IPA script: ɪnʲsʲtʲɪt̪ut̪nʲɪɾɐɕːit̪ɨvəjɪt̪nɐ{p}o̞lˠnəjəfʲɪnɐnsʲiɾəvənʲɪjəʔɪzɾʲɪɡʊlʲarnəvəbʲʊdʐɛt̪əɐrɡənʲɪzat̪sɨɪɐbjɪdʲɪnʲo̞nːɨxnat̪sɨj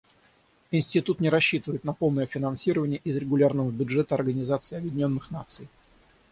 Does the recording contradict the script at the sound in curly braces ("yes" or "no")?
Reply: no